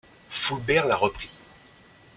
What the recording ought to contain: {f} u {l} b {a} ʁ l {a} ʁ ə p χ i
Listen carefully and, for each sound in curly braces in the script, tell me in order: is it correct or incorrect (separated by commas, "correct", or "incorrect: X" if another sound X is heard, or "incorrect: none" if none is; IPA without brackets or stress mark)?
correct, correct, incorrect: ɛ, correct